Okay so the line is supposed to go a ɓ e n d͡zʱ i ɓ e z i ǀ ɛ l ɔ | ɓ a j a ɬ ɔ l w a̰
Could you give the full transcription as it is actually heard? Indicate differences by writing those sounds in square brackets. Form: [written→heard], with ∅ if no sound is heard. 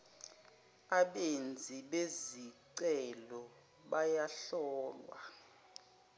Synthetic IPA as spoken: a ɓ e n d͡zʱ i ɓ e z i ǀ ɛ l ɔ | ɓ a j a ɬ [ɔ→ɔː] l w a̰